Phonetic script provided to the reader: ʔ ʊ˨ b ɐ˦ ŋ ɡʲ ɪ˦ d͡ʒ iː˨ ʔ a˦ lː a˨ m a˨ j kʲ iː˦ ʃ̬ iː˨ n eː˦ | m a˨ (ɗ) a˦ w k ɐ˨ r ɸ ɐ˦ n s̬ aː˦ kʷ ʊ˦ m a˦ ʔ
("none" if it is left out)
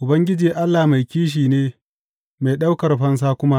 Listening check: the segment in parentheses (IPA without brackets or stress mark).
ɗ